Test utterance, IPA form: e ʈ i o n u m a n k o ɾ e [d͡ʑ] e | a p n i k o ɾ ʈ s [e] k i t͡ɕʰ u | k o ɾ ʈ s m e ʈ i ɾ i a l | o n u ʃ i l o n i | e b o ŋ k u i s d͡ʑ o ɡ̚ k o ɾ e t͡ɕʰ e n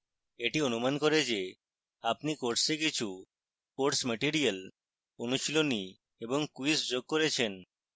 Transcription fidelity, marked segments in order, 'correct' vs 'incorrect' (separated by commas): correct, correct